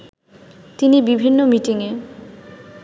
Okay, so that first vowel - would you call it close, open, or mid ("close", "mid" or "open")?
close